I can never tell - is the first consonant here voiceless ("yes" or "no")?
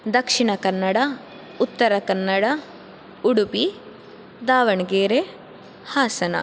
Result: no